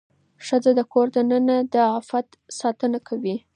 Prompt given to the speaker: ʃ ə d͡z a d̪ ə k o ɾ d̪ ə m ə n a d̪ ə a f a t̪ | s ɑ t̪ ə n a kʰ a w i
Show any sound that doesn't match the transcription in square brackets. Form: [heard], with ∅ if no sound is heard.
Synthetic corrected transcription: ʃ ə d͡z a d̪ ə k o ɾ d̪ ə [n] ə n a d̪ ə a f a t̪ | s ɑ t̪ ə n a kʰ a w i